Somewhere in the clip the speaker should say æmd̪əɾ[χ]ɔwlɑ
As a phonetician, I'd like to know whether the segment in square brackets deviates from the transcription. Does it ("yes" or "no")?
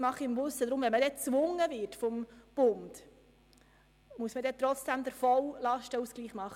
yes